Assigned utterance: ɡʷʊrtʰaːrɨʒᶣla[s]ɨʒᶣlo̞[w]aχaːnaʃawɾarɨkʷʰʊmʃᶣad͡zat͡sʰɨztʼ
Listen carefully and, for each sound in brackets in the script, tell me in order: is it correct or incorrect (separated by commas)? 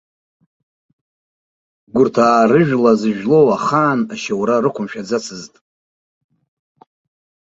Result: incorrect, correct